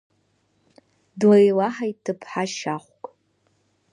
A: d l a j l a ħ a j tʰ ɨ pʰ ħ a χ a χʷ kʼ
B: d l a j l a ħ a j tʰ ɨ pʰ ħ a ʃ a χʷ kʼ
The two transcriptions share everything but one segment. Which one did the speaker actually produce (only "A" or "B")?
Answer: B